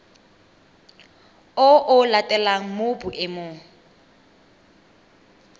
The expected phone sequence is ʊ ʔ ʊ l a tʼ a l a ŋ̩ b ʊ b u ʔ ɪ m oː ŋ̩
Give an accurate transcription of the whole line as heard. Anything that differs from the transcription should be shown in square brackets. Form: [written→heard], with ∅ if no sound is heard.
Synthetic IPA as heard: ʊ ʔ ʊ l a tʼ [a→ɛ] l a ŋ̩ [b→m] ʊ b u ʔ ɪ m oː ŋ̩